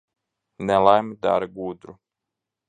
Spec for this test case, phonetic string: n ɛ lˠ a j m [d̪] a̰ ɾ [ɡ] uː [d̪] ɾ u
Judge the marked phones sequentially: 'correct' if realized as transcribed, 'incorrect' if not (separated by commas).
correct, correct, correct